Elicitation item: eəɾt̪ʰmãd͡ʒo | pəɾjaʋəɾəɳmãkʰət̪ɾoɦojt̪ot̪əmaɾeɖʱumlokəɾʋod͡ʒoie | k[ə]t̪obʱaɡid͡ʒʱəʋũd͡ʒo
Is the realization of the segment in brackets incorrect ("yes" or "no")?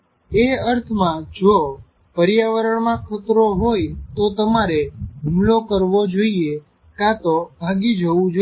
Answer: yes